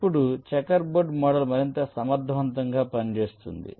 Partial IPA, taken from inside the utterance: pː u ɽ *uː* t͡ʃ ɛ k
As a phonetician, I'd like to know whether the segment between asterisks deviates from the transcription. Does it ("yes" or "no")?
yes